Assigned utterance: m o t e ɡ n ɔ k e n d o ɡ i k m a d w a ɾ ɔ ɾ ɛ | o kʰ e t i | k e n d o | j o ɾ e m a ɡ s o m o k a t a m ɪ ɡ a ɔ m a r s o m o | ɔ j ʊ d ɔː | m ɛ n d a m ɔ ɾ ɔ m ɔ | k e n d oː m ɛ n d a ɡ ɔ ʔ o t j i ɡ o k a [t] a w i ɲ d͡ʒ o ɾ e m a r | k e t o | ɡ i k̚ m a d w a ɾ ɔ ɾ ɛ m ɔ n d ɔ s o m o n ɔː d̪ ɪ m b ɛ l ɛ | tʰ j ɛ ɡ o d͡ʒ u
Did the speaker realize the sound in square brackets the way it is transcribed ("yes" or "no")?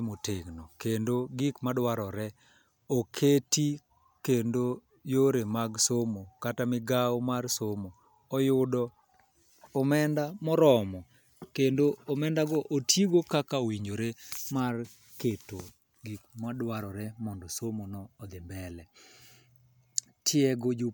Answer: no